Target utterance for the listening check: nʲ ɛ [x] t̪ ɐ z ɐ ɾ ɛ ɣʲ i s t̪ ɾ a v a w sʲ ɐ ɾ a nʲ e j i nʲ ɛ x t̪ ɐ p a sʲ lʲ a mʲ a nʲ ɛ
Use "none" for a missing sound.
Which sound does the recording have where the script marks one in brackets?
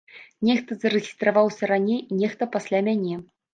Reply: x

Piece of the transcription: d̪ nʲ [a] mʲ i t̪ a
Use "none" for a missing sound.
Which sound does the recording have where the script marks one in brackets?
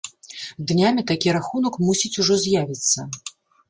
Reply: a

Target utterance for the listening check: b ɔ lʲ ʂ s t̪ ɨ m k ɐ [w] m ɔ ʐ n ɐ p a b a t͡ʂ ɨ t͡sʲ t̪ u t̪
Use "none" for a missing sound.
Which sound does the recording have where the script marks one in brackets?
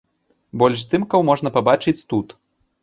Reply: w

